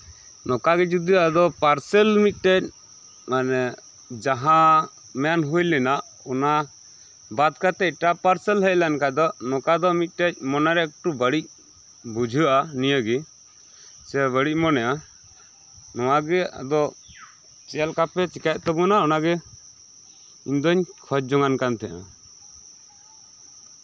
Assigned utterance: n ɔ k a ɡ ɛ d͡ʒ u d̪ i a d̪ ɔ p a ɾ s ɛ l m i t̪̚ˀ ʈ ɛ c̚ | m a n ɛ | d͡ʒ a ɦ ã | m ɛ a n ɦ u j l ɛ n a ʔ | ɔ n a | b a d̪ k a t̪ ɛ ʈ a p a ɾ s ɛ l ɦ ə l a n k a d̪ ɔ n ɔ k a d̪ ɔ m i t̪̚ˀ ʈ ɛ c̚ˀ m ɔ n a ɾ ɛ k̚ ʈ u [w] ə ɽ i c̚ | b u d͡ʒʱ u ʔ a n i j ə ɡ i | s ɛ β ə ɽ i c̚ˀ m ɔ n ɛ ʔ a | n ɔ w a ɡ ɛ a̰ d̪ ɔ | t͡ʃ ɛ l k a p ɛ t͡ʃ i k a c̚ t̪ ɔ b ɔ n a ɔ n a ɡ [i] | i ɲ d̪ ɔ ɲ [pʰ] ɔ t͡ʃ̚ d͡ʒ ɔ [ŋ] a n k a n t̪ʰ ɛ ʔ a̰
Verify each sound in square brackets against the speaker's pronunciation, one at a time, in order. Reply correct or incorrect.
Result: incorrect, incorrect, incorrect, correct

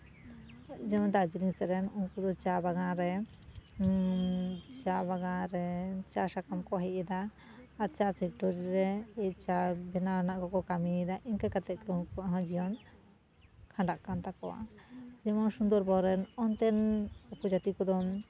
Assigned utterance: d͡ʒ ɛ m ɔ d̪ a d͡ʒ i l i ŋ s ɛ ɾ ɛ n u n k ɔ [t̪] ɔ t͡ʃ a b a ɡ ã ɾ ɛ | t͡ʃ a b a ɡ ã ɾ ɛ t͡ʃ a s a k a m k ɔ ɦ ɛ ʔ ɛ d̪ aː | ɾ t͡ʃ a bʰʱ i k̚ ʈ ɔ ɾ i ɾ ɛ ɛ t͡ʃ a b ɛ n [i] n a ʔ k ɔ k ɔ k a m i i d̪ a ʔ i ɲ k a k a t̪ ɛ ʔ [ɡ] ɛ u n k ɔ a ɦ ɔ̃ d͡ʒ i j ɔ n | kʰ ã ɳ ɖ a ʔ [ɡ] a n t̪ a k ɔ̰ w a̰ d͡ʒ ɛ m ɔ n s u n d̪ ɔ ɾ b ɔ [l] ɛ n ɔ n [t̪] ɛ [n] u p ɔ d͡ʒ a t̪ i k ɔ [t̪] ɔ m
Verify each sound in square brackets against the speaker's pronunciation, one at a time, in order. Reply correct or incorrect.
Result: incorrect, incorrect, incorrect, incorrect, incorrect, correct, correct, incorrect

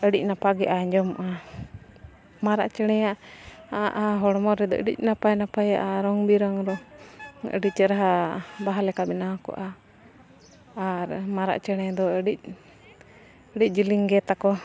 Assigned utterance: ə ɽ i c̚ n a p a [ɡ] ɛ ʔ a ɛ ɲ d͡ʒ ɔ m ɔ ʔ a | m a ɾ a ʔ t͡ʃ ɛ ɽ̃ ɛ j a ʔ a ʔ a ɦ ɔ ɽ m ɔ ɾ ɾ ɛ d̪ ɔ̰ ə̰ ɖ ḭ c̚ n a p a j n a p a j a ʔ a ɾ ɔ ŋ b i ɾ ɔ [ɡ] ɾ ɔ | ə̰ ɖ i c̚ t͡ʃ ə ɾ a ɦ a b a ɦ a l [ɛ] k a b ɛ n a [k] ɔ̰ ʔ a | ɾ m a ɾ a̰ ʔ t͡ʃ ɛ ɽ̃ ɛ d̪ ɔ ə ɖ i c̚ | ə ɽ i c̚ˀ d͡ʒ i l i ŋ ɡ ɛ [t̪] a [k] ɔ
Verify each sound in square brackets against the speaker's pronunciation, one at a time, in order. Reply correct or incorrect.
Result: correct, incorrect, correct, correct, correct, correct

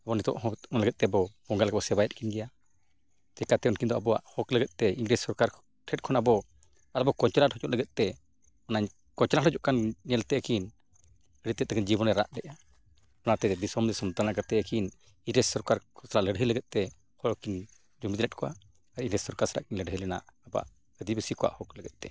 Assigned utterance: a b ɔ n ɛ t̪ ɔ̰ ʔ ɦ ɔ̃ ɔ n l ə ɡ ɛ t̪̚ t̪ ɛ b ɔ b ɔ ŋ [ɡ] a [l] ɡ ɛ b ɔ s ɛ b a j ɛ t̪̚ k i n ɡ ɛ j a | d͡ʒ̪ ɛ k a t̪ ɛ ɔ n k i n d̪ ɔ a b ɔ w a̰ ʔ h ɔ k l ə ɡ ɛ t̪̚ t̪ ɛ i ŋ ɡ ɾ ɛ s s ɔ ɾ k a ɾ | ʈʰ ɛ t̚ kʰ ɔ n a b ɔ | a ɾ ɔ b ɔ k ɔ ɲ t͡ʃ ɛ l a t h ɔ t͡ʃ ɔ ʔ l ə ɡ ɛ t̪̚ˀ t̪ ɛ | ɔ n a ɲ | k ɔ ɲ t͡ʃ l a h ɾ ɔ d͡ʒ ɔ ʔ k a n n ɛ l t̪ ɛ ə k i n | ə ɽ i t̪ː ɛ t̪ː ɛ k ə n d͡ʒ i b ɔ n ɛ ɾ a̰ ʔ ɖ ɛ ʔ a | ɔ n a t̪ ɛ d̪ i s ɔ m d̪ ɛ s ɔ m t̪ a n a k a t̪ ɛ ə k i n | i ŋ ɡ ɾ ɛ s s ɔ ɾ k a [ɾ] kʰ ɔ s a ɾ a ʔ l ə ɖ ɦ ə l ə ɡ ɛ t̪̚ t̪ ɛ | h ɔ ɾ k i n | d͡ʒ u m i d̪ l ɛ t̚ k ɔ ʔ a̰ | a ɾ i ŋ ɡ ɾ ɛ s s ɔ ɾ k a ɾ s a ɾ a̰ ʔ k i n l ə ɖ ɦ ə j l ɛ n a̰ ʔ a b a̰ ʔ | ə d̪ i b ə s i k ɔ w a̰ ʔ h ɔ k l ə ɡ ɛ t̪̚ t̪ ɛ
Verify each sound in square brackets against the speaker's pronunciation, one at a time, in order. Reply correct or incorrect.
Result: correct, correct, correct

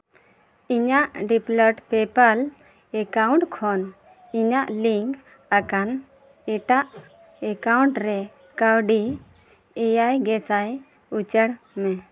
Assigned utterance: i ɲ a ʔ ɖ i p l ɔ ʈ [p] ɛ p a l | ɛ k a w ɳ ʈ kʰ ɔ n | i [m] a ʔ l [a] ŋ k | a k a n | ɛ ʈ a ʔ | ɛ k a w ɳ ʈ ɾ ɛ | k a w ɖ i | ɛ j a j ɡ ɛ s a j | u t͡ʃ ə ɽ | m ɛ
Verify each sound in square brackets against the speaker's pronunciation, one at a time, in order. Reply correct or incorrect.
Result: correct, incorrect, incorrect

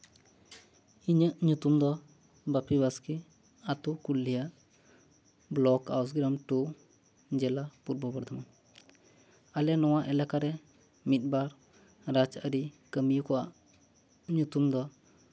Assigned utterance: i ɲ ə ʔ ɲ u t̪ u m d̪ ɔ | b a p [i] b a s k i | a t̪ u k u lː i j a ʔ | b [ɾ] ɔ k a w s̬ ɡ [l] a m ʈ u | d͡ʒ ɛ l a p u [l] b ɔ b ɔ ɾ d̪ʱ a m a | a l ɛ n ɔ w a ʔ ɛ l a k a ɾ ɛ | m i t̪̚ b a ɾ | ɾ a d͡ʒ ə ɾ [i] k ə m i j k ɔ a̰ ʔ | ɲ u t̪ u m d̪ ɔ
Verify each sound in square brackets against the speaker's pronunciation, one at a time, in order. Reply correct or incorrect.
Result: correct, incorrect, incorrect, incorrect, correct

